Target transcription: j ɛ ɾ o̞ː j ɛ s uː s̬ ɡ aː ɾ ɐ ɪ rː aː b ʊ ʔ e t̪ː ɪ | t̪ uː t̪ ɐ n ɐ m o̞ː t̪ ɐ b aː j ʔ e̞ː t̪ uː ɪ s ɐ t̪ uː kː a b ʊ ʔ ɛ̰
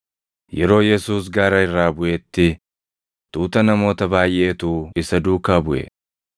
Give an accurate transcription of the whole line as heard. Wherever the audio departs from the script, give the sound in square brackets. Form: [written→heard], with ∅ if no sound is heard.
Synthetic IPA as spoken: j ɛ ɾ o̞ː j ɛ s uː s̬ ɡ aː ɾ ɐ ɪ rː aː b ʊ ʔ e t̪ː ɪ | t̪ uː t̪ ɐ n ɐ m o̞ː t̪ ɐ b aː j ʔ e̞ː t̪ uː ɪ s ɐ [t̪→d̪] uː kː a b ʊ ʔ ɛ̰